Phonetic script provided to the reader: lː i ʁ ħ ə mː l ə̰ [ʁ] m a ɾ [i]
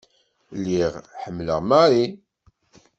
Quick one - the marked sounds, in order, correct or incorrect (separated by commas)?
correct, correct